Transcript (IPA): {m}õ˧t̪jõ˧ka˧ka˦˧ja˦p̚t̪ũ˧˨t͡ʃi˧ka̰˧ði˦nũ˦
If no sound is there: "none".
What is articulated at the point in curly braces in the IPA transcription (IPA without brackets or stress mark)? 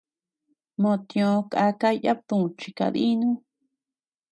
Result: m